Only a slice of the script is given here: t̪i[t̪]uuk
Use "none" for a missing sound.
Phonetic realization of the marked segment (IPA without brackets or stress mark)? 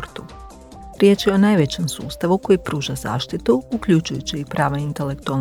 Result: t̪